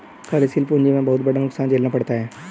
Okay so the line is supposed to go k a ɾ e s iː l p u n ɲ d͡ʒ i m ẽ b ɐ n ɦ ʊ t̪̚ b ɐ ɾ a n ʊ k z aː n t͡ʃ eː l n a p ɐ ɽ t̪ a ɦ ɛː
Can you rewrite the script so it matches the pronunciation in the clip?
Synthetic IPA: k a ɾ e s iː l p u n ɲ d͡ʒ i m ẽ b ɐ ɦ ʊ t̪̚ b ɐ ɽ a n ʊ k s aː n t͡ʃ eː l n a p ɐ ɽ t̪ a ɦ ɛː